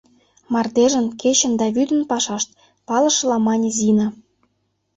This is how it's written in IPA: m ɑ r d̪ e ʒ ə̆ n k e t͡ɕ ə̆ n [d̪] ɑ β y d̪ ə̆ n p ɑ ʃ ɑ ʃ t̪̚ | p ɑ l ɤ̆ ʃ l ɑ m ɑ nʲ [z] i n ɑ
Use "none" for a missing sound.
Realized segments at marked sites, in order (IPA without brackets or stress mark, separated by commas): d̪, z